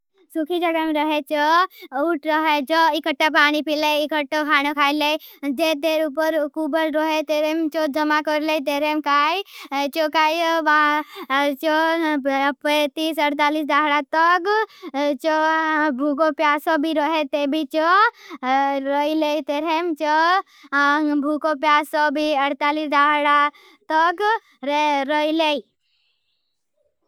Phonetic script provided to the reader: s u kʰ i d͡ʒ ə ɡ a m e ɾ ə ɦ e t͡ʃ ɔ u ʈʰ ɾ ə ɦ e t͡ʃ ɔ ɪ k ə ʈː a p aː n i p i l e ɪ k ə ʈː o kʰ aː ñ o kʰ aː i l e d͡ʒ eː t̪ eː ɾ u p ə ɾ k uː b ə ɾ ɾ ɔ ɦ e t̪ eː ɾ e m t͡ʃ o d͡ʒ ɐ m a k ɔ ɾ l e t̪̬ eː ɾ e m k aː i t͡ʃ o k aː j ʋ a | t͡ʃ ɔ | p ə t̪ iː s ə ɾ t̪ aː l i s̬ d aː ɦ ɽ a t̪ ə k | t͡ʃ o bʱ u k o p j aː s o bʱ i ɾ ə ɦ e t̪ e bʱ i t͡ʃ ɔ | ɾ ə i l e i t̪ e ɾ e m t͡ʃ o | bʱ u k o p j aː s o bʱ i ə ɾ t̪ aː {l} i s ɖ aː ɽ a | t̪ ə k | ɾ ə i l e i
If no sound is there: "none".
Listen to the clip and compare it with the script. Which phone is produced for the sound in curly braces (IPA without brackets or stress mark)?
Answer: l